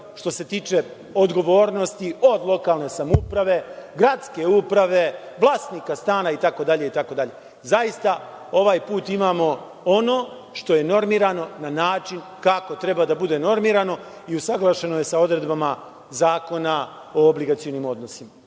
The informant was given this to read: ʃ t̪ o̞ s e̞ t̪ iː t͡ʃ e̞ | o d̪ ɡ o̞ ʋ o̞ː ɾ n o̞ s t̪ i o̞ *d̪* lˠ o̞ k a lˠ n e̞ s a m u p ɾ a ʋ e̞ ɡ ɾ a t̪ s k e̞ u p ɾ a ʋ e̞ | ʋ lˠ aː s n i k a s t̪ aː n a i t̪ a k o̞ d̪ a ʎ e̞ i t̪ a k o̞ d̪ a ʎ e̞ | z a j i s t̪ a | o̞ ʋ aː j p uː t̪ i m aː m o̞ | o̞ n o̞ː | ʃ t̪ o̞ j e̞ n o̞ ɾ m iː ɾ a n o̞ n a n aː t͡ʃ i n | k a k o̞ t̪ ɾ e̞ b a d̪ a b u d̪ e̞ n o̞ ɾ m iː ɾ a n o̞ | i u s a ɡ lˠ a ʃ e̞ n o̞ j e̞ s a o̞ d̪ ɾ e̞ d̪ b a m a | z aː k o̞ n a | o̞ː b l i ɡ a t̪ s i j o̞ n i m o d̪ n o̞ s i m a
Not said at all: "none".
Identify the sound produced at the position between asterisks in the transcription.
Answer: d̪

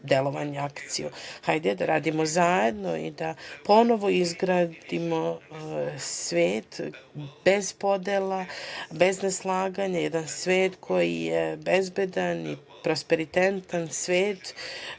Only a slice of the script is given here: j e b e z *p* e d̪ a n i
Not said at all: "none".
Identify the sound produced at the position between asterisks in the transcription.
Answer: b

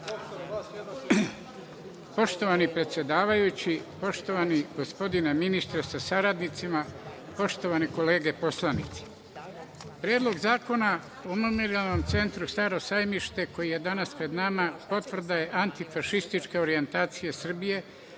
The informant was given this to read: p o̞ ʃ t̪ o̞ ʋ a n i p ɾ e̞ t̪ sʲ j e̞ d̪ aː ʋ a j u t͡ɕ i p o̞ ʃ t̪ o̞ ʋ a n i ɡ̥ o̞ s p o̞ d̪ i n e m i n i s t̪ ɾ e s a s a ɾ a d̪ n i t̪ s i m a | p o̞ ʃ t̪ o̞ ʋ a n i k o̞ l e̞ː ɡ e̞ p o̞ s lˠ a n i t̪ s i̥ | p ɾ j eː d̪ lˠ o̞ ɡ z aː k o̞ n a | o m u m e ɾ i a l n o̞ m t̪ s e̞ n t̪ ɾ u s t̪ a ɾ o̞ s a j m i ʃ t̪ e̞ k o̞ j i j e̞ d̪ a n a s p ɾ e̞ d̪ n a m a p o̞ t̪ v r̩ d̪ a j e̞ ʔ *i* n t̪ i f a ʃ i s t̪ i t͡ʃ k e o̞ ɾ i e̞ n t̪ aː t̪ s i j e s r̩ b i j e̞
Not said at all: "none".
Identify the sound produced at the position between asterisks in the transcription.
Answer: a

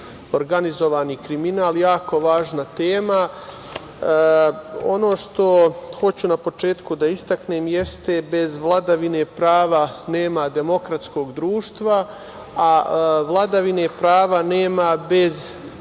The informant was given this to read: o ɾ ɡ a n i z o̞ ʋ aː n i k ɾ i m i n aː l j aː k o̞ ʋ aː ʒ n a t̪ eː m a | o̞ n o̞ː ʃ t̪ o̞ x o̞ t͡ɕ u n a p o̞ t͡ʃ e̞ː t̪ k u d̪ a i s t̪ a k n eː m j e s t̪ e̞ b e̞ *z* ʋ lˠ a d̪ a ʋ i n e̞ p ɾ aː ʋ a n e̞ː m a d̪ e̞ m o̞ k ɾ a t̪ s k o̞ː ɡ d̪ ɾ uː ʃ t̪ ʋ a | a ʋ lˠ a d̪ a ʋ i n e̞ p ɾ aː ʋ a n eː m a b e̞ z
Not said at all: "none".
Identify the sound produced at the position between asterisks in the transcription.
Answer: z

